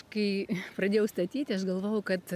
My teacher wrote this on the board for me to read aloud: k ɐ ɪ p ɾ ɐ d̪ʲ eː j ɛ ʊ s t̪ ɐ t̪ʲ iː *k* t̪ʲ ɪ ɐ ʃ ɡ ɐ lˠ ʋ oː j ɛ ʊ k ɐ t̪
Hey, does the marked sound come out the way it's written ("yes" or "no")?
no